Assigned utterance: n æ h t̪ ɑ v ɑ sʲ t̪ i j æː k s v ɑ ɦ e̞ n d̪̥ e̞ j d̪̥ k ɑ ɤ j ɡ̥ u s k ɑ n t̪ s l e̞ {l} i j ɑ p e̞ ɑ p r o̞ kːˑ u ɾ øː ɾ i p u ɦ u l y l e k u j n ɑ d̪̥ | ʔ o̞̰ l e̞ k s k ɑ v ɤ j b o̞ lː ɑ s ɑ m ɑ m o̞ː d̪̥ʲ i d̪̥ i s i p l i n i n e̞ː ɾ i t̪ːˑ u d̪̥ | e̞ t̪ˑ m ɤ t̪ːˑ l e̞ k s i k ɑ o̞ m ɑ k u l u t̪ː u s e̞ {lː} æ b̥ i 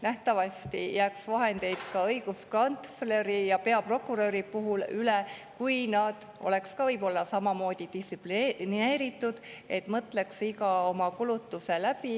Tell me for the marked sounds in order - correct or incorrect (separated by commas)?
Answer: incorrect, incorrect